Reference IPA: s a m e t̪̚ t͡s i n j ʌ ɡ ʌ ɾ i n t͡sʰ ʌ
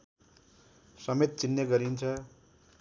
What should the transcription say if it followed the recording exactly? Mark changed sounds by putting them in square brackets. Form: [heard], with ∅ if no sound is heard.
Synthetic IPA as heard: s [ʌ] m e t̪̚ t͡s i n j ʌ ɡ ʌ ɾ i n t͡sʰ ʌ